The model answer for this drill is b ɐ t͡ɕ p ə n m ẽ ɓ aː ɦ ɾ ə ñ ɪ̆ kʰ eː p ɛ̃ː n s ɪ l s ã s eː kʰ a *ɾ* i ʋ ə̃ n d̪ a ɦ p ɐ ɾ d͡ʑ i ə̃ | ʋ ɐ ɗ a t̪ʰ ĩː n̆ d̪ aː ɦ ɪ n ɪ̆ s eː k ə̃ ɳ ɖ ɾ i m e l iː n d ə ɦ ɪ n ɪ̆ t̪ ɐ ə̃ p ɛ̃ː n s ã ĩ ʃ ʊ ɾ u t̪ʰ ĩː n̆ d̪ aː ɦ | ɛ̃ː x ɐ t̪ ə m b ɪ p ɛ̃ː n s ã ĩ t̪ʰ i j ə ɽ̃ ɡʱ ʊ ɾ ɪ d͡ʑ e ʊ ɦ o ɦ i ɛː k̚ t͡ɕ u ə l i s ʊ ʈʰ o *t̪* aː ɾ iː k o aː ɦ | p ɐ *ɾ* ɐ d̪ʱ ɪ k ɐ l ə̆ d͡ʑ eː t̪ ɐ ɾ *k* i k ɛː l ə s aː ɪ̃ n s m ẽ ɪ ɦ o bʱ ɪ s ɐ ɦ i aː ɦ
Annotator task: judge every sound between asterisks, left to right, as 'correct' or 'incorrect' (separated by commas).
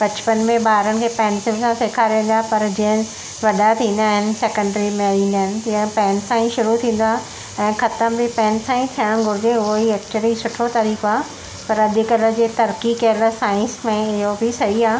correct, correct, correct, correct